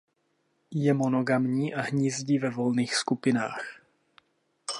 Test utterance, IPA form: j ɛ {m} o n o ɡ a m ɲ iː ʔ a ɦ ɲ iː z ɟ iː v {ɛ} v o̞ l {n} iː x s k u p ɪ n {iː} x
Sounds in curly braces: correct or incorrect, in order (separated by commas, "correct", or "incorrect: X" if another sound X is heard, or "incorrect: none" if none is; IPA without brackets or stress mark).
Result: correct, correct, correct, incorrect: aː